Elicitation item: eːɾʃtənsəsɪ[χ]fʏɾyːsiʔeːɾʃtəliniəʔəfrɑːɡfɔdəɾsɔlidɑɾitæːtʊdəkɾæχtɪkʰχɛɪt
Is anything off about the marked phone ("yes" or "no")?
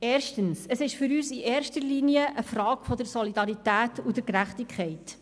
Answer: yes